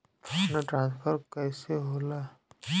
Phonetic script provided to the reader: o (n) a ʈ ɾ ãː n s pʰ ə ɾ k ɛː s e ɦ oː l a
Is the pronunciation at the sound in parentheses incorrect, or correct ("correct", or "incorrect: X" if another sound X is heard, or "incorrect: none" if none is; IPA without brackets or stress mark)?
correct